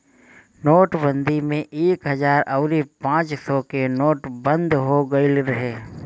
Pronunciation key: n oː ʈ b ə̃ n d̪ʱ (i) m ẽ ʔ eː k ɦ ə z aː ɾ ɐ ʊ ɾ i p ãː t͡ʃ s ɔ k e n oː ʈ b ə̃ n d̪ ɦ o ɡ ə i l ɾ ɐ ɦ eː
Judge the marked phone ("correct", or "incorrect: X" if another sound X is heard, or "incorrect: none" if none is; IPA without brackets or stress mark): correct